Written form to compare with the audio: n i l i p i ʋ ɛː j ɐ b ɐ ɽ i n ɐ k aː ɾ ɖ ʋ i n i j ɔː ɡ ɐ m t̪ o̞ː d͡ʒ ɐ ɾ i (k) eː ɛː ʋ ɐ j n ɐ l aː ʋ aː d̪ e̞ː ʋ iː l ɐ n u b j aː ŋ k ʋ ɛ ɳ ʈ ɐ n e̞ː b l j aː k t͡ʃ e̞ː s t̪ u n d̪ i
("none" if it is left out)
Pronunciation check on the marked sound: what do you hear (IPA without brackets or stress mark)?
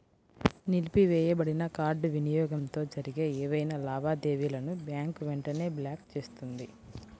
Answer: ɡ